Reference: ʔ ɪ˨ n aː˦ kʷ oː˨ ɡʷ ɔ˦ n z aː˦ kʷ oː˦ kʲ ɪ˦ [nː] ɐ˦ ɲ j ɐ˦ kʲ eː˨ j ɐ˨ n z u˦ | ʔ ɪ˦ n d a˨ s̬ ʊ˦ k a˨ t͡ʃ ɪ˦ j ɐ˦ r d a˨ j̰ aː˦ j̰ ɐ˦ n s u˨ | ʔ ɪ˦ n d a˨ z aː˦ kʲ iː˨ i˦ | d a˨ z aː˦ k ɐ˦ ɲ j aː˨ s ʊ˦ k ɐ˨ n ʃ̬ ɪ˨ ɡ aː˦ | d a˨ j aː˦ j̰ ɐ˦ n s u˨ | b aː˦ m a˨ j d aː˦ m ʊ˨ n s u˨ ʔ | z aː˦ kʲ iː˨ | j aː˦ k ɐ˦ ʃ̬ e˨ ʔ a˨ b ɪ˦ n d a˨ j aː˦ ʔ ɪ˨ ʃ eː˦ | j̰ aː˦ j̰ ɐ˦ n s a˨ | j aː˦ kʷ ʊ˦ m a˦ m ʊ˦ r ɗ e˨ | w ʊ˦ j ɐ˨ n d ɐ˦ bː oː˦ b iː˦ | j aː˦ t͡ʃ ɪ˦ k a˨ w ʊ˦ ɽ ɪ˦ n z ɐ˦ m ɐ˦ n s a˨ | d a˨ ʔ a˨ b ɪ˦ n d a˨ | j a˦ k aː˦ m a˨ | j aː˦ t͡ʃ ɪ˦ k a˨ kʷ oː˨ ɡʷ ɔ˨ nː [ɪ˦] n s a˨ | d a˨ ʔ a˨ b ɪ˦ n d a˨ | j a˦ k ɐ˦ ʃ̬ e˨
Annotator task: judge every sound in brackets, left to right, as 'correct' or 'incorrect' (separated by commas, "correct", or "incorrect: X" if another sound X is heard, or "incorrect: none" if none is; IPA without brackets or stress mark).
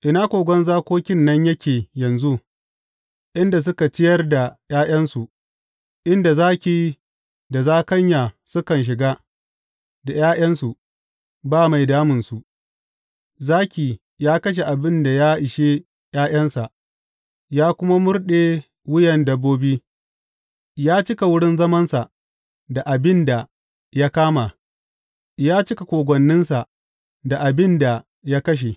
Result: correct, correct